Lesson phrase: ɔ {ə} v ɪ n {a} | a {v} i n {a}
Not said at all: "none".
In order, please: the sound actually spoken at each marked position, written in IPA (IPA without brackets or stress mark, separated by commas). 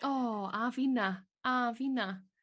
a, a, v, a